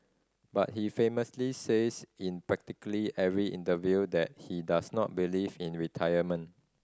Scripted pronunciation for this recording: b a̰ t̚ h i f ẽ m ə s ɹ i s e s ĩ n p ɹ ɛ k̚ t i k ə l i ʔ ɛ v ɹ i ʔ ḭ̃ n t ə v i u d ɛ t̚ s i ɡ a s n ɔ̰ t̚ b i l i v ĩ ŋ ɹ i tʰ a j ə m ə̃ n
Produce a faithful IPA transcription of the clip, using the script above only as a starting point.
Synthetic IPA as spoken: b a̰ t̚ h i f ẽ m ə s l i s e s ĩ n p ɹ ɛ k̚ t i k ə l i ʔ ɛ v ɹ i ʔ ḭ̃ n t ə v j u d ɛ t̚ h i d a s n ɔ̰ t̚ b i l i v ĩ n ɹ i tʰ a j ə m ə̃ n